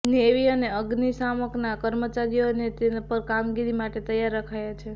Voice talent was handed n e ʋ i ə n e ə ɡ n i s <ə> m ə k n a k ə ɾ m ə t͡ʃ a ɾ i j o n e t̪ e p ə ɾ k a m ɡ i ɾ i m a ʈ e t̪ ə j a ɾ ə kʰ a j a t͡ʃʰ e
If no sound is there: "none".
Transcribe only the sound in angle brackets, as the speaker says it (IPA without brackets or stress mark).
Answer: a